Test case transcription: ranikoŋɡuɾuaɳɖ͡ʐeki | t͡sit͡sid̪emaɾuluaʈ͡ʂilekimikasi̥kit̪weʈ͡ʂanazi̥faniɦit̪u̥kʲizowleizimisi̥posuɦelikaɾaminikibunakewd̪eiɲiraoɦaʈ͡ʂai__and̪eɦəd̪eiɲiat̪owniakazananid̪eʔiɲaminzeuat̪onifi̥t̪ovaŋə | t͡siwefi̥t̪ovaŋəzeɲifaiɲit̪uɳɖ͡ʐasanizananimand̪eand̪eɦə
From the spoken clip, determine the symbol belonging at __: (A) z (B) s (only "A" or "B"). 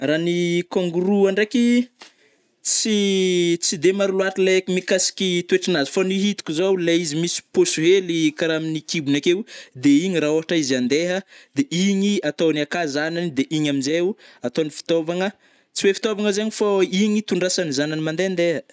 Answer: A